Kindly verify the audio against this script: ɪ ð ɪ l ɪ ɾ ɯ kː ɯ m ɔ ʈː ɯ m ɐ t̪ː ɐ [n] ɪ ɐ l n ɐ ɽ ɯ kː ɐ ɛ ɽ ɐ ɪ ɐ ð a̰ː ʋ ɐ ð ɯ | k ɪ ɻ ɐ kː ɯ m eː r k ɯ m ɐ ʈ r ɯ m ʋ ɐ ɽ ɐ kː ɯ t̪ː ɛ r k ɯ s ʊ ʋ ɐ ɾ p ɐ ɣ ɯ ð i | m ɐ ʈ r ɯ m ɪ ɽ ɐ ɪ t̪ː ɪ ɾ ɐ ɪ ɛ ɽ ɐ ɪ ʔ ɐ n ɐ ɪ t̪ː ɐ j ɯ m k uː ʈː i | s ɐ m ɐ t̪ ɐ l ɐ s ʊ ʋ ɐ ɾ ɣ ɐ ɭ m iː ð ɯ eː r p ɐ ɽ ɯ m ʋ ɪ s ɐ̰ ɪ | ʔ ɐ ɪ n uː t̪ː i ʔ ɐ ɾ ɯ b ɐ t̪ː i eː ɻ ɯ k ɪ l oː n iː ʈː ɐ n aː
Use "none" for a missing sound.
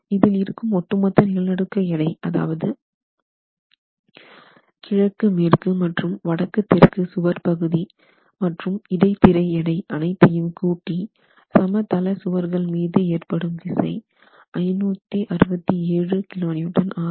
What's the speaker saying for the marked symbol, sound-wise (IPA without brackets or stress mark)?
n